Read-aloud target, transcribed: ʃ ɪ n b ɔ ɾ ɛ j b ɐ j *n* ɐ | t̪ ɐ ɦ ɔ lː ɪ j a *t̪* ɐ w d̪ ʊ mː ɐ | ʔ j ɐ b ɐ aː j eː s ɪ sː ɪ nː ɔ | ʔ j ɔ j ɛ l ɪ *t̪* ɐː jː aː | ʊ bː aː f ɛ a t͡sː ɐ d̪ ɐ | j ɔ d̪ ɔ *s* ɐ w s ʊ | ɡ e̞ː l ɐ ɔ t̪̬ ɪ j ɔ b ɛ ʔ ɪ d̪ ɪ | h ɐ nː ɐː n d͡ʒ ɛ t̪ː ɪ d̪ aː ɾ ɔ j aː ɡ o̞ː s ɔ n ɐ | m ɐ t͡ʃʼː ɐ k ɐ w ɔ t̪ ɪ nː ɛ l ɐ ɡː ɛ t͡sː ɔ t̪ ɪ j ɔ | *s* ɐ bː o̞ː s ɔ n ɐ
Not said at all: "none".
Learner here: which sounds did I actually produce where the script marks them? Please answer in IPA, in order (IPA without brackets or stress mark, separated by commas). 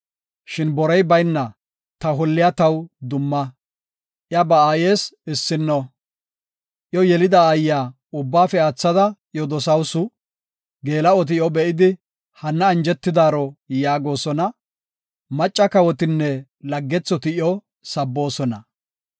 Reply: nː, t̪, d̪, s, s